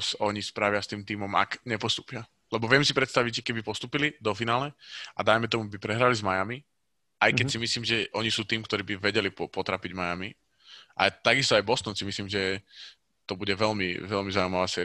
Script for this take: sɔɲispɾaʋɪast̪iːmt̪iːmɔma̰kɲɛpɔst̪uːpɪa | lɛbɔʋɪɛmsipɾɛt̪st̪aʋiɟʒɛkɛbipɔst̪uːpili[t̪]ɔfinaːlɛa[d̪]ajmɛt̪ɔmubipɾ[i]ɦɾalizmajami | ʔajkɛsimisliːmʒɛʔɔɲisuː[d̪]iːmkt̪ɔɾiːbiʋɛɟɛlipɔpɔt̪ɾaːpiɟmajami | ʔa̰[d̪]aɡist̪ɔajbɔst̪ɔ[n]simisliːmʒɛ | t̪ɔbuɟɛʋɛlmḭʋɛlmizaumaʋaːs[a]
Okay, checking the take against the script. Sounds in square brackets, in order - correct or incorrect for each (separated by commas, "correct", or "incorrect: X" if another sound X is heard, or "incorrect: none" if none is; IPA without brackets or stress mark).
incorrect: d̪, correct, incorrect: ɛ, incorrect: t̪, incorrect: t̪, correct, incorrect: ɛ